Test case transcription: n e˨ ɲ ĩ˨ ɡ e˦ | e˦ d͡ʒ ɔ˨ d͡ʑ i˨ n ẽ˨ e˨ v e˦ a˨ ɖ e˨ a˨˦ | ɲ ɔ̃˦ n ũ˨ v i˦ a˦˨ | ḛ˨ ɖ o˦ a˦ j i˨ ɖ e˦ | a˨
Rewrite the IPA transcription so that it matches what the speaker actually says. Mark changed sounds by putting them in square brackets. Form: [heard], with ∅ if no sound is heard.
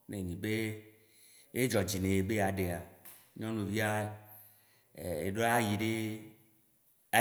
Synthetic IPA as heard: n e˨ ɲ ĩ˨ [b] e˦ | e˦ d͡ʒ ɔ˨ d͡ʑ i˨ n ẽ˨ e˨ [b] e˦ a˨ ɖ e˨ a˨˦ | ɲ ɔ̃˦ n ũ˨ v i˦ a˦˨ | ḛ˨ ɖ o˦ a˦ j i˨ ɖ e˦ | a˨